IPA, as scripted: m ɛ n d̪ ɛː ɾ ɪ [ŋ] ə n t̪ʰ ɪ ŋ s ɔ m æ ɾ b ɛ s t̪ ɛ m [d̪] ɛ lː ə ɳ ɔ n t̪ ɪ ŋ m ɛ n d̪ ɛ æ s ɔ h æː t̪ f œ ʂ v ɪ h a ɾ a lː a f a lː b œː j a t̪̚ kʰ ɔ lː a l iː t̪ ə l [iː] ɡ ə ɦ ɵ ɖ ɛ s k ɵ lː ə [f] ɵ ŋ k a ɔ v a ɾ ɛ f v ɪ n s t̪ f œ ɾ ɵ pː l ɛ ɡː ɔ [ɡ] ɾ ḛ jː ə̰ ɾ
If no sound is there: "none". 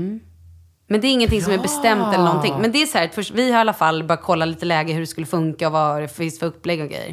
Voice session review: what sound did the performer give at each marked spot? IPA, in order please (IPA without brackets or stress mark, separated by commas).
ŋː, t̪, ɛː, f, ɡ